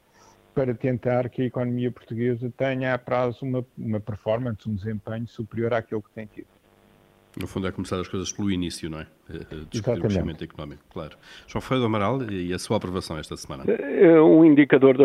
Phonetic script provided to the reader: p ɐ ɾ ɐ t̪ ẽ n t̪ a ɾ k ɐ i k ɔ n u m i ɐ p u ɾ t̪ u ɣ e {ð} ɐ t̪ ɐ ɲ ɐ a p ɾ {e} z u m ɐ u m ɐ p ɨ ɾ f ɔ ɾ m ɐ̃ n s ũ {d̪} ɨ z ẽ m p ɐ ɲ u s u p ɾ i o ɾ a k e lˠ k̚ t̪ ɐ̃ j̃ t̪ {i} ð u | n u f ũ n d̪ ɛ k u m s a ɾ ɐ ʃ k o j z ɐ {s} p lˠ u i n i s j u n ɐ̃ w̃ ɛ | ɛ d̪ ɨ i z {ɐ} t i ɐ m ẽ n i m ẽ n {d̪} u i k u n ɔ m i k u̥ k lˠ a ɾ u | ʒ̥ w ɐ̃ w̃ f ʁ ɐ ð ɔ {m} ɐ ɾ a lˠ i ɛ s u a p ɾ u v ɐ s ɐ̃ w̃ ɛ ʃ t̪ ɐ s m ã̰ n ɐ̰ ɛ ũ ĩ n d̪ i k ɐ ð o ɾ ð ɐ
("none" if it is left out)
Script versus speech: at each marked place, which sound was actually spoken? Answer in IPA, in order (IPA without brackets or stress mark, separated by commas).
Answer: z, a, d̪, i, ʃ, a, t̪, m